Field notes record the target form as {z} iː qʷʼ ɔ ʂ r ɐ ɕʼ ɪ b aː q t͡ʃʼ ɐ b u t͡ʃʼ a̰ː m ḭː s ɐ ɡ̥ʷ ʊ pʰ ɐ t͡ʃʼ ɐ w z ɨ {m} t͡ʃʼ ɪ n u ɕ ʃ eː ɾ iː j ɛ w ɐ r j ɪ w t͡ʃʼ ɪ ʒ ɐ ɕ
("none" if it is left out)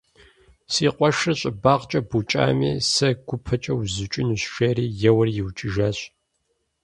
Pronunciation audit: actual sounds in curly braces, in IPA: s, none

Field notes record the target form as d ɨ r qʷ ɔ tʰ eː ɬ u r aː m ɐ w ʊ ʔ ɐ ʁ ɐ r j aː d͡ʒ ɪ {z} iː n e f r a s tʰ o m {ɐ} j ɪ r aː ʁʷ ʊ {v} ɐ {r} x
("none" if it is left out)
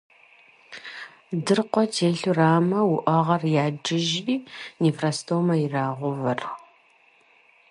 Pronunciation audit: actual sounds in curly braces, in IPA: ʒ, ɐ, v, r

